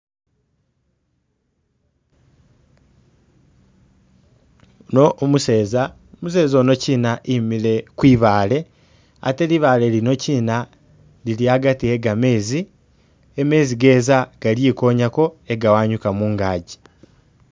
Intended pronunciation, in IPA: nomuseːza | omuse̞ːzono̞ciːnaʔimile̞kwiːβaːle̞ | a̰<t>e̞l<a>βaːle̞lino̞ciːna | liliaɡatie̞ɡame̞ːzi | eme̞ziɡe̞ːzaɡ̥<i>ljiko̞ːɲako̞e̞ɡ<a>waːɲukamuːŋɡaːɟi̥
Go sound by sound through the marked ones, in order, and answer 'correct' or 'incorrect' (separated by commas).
correct, incorrect, incorrect, correct